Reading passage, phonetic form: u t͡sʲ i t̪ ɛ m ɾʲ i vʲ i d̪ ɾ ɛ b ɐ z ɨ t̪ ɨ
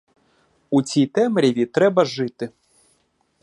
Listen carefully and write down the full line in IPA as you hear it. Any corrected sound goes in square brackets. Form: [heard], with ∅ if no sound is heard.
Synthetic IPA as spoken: u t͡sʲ i t̪ ɛ m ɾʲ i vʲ i [t̪] ɾ ɛ b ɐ [ʐ] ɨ t̪ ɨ